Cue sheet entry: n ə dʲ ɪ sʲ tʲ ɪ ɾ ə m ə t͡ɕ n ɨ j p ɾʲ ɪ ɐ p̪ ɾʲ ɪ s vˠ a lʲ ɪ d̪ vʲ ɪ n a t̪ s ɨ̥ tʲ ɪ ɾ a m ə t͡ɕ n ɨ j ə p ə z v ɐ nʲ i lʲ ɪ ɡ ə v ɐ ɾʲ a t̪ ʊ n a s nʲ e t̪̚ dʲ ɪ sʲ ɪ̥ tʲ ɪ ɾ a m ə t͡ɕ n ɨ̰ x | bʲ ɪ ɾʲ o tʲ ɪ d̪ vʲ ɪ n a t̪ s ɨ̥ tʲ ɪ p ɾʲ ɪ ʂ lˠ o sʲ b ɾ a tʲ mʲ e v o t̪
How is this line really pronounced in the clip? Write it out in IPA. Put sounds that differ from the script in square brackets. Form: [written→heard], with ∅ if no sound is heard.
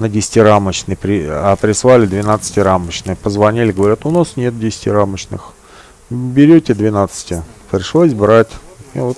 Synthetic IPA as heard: n ə dʲ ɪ sʲ tʲ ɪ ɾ [ə→a] m ə t͡ɕ n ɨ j p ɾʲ ɪ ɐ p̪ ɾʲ ɪ s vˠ a lʲ ɪ d̪ vʲ ɪ n a t̪ s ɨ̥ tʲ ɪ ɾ a m ə t͡ɕ n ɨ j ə p ə z v ɐ nʲ i lʲ ɪ ɡ ə v ɐ ɾʲ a t̪ ʊ n a s nʲ e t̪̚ dʲ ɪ sʲ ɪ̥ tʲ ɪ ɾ a m ə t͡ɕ n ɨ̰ x | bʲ ɪ ɾʲ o tʲ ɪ d̪ vʲ ɪ n a t̪ s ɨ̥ tʲ ɪ p ɾʲ ɪ ʂ lˠ o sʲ b ɾ a tʲ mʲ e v o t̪